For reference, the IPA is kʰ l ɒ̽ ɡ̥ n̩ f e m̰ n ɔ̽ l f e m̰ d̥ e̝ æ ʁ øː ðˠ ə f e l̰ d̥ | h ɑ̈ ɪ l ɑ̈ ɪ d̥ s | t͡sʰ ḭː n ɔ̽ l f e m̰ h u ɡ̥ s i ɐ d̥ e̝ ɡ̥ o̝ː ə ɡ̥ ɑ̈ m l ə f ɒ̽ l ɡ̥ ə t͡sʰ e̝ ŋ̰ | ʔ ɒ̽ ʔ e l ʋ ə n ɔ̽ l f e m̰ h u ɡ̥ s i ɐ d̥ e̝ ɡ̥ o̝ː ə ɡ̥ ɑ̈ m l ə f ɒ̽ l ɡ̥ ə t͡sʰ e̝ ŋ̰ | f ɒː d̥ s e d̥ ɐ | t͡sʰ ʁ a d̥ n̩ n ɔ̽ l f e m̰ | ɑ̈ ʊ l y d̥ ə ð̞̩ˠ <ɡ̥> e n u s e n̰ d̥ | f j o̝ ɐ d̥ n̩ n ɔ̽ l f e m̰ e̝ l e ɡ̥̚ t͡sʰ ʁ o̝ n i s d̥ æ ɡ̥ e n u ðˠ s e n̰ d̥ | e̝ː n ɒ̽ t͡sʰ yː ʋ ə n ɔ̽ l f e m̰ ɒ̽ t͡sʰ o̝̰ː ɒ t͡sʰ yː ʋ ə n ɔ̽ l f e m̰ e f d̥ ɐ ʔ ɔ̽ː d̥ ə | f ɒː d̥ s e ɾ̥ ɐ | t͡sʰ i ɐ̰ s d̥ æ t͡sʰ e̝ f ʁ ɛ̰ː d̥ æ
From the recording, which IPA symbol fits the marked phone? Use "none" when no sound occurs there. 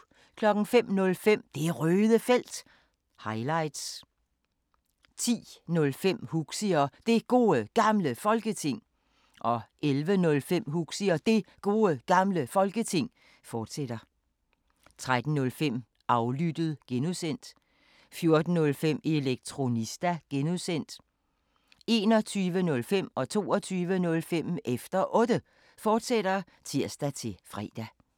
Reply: ɡ̥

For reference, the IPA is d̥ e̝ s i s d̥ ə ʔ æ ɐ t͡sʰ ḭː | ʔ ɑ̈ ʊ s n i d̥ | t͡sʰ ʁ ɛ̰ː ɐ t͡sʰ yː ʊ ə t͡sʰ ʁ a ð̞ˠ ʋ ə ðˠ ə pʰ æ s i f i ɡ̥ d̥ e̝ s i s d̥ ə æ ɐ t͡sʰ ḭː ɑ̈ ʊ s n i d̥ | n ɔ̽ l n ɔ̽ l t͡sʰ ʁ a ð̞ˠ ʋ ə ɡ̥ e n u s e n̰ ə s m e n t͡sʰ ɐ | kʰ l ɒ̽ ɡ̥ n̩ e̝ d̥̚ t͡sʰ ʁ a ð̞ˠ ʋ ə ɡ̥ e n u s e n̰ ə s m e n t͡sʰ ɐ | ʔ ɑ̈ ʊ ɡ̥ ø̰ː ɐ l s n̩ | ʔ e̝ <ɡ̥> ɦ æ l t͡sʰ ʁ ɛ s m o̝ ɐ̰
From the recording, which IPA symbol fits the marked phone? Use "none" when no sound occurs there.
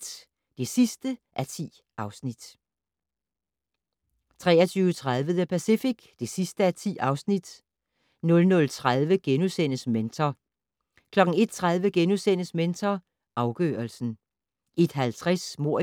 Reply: d̥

